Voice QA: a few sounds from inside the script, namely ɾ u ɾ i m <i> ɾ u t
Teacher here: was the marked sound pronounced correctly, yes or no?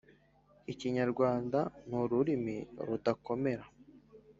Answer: yes